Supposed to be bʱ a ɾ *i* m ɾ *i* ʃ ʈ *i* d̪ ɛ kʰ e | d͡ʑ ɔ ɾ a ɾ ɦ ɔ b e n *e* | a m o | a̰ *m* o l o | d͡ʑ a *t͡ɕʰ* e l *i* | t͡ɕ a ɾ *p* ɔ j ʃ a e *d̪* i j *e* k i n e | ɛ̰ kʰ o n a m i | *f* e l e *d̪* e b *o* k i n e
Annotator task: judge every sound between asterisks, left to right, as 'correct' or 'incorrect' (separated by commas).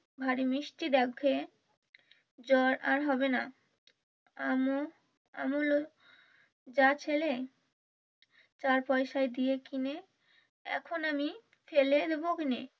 correct, correct, correct, incorrect, correct, correct, incorrect, correct, correct, correct, correct, correct, correct